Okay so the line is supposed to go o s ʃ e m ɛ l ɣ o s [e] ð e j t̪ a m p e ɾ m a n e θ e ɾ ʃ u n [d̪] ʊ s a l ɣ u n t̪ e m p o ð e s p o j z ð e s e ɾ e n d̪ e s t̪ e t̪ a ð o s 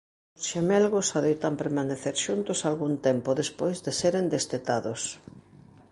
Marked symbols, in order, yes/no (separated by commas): no, no